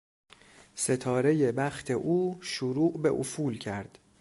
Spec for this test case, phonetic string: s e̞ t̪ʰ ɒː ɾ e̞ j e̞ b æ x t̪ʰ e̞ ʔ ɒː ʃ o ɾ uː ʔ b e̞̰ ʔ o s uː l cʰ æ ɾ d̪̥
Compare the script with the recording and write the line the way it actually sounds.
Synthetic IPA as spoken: s e̞ t̪ʰ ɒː ɾ e̞ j e̞ b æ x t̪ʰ e̞ ʔ uː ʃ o ɾ uː ʔ b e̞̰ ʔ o f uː l cʰ æ ɾ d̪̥